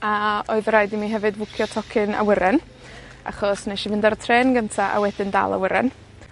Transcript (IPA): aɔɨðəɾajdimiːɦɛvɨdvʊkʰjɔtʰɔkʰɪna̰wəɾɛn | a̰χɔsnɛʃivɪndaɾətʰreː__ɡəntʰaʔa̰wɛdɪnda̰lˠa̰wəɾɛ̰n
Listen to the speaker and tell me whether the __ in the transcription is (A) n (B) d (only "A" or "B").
A